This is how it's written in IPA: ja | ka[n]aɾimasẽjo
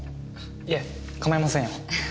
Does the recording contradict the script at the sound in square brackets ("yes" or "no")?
yes